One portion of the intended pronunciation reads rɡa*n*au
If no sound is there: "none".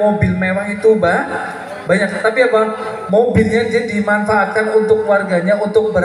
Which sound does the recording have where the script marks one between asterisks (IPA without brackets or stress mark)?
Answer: ɲ